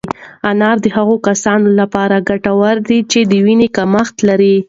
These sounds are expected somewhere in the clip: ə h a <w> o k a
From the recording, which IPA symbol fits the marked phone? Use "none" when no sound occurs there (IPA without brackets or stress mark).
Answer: ɣ